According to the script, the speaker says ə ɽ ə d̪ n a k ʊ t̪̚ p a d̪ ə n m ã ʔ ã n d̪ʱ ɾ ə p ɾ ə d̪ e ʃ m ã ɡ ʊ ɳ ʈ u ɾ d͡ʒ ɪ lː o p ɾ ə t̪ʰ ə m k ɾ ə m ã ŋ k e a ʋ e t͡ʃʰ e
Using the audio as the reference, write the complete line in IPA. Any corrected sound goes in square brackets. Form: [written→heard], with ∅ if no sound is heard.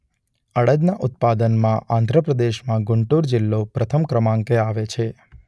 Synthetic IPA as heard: ə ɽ ə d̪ n a [k→ʔ] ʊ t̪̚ p a d̪ ə n m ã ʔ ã n d̪ʱ ɾ ə p ɾ ə d̪ e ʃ m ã ɡ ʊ ɳ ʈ u ɾ d͡ʒ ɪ lː o p ɾ ə t̪ʰ ə m k ɾ ə m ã ŋ k e a ʋ e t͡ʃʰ e